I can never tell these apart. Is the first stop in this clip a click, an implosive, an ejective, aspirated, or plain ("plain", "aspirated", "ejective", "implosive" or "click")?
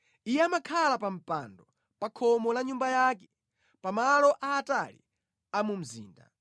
aspirated